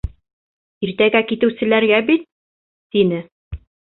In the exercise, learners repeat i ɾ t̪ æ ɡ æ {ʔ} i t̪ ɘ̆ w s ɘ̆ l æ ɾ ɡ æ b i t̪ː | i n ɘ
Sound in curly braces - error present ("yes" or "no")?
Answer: yes